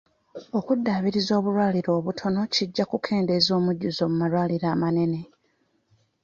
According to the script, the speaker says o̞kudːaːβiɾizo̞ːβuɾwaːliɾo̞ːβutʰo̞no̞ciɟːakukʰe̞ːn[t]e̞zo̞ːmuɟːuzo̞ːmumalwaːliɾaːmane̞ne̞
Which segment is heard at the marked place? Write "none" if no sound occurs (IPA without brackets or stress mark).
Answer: d